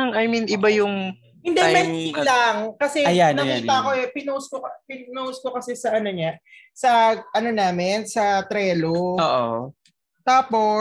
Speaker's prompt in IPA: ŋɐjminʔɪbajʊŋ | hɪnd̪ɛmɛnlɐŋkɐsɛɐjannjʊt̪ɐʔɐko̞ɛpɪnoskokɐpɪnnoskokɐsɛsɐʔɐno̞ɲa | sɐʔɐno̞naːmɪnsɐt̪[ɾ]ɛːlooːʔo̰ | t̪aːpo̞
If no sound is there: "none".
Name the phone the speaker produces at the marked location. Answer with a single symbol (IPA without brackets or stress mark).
ɾ